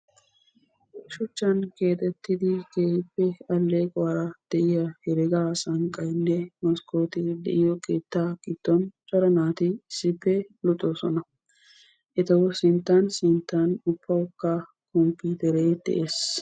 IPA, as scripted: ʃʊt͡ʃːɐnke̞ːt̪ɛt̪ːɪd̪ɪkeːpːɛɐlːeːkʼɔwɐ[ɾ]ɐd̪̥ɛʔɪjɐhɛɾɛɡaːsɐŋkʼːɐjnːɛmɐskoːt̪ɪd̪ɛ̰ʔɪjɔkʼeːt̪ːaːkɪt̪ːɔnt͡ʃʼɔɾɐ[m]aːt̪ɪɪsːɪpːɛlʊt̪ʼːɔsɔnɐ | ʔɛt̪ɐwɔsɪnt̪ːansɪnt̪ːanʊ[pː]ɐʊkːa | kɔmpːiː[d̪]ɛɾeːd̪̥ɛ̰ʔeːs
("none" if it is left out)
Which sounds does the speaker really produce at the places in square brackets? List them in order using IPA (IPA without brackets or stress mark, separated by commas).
ɾ, n, pː, t̪